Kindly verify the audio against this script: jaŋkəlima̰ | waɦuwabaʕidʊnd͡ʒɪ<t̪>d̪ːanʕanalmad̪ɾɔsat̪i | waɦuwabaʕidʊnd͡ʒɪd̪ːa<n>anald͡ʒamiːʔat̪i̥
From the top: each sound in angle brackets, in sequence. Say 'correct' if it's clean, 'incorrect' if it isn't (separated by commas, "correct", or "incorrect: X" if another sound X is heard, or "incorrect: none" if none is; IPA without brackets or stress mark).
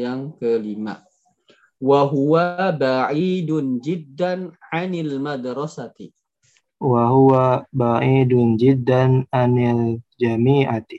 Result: incorrect: none, correct